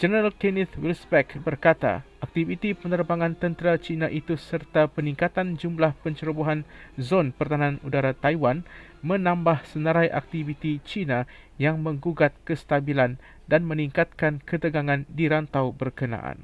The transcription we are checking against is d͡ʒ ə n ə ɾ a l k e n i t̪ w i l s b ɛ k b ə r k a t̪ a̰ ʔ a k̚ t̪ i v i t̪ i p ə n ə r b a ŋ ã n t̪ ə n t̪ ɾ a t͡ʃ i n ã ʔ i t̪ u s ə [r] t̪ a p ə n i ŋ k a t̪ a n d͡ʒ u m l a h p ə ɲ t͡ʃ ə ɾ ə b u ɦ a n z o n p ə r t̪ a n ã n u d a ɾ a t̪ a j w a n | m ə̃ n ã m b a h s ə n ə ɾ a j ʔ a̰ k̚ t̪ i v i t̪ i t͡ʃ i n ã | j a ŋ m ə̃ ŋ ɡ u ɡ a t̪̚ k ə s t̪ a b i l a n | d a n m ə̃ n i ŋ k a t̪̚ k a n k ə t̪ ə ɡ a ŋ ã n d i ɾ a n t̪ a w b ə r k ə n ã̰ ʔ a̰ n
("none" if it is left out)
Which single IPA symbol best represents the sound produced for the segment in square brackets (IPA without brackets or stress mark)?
r